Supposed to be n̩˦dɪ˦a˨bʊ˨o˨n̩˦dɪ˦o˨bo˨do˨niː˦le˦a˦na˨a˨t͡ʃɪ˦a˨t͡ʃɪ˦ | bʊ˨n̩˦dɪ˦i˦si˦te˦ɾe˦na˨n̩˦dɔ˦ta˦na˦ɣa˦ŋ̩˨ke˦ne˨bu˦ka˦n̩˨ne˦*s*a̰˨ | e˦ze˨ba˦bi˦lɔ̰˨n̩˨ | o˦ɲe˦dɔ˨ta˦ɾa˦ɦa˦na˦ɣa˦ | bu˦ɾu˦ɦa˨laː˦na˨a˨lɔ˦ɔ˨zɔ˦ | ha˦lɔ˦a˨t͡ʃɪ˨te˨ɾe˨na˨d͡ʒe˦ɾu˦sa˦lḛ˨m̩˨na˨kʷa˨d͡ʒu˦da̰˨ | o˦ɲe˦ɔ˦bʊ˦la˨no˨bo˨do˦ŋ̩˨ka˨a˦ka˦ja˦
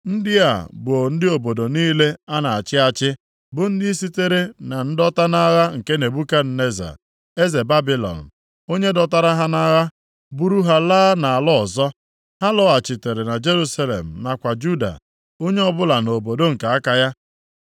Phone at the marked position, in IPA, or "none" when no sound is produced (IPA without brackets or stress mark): z